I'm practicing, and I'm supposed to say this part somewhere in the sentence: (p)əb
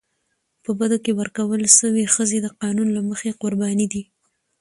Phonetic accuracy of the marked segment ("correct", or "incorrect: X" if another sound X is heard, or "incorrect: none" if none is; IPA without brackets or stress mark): correct